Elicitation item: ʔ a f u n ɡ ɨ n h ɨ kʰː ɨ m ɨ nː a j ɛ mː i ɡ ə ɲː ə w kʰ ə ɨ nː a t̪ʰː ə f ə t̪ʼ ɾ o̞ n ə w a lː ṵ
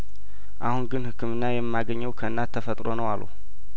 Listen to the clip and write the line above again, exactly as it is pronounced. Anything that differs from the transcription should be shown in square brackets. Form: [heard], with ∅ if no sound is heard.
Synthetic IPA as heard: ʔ a [h] u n ɡ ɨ n h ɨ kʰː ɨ m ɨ nː a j ɛ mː [a] ɡ ə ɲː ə w kʰ ə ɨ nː a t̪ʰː ə f ə t̪ʼ ɾ o̞ n ə w a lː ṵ